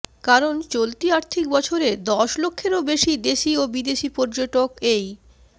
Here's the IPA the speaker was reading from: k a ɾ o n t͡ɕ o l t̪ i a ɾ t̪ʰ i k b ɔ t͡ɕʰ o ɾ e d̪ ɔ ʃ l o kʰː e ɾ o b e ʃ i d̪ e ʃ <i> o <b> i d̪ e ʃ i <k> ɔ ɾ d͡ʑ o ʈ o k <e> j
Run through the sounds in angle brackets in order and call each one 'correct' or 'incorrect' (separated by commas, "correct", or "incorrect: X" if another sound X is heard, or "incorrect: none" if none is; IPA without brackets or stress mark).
correct, correct, incorrect: p, correct